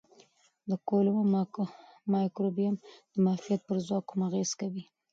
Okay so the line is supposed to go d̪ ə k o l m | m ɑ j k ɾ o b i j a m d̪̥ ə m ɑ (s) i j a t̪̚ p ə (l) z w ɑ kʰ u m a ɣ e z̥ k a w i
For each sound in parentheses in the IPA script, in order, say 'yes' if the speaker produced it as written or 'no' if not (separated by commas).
no, no